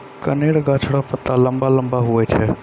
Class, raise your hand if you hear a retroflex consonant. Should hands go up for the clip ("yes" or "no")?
yes